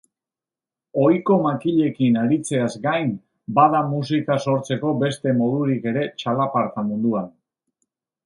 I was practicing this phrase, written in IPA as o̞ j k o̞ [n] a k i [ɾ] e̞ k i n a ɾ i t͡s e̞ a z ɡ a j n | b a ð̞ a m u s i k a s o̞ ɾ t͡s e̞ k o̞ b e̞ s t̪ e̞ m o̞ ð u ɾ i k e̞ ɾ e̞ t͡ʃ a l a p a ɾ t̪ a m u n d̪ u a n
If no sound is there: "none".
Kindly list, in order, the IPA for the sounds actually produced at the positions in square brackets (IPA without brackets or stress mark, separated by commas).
m, ʎ